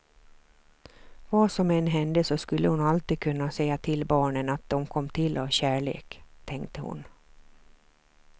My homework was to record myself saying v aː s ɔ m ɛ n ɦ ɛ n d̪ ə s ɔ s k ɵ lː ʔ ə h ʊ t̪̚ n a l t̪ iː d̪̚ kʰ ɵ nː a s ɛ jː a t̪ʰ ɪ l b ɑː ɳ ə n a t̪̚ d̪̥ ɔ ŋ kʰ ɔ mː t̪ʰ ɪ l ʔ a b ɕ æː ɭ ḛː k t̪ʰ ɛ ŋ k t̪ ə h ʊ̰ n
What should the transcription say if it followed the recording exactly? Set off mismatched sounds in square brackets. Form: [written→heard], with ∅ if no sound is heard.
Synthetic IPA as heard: v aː s ɔ m ɛ n ɦ ɛ n d̪ ə s ɔ s k ɵ lː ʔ ə h ʊ [t̪̚→∅] n a l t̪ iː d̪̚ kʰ ɵ nː a s ɛ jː a t̪ʰ ɪ l b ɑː ɳ ə n a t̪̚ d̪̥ ɔ [ŋ→m] kʰ ɔ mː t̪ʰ ɪ l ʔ a [b→v] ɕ æː ɭ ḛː k t̪ʰ ɛ ŋ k t̪ ə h ʊ̰ n